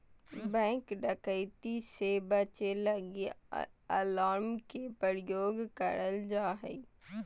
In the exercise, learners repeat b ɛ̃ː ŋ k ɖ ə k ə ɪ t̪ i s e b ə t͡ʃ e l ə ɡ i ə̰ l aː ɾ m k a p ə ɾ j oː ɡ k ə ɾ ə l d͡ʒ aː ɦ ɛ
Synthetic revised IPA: b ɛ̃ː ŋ k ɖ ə k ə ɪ t̪ i s e b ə t͡ʃ e l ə ɡ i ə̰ l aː ɾ m k e p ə ɾ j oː ɡ k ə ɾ ə l d͡ʒ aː ɦ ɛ